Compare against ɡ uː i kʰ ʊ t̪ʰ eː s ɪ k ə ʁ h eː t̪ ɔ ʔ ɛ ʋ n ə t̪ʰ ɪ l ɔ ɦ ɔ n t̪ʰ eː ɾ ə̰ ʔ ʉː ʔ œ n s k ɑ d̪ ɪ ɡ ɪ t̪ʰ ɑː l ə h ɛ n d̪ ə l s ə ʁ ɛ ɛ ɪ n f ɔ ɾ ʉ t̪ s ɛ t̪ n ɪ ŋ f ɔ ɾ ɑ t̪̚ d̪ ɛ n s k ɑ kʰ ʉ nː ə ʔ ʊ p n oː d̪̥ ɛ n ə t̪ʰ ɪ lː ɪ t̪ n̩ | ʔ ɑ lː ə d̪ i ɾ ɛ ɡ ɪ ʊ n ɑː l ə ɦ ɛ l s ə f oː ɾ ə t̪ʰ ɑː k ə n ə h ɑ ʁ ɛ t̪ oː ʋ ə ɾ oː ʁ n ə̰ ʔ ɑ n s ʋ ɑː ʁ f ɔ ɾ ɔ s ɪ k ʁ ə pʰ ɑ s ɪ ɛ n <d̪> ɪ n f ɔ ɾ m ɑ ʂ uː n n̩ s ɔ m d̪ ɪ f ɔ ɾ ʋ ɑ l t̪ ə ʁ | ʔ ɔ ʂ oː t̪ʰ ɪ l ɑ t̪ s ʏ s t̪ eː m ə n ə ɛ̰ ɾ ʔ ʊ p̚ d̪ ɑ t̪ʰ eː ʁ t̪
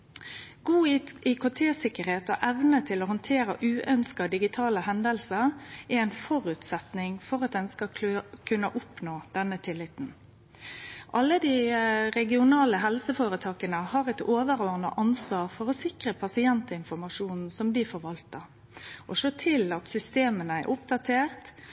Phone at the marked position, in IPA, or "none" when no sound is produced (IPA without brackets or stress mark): t̪